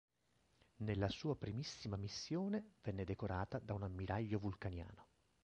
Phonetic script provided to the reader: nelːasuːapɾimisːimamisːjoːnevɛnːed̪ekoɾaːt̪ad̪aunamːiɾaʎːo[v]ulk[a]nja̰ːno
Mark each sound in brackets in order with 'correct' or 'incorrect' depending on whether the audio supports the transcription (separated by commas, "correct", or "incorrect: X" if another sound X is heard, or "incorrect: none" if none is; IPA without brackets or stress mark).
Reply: correct, correct